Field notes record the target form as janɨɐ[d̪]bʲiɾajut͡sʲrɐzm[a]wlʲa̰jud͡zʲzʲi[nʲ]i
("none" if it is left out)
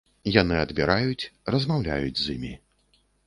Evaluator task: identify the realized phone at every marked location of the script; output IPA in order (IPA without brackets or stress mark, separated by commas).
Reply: d̪, a, mʲ